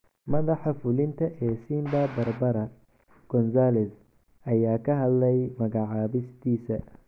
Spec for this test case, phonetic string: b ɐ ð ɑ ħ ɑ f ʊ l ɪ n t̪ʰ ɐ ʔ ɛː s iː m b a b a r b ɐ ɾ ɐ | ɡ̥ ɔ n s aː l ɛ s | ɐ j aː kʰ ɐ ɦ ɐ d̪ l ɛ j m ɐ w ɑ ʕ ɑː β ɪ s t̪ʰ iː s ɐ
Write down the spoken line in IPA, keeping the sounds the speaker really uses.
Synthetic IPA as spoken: m ɐ ð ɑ ħ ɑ f ʊ l ɪ n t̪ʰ ɐ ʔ ɛː s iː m b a b ɐ r b ɐ ɾ ɐ | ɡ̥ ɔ n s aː l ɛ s | ɐ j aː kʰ ɐ ɦ ɐ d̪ l ɛ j m ɐ ɣ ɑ ʕ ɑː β ɪ s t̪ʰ iː s ɐ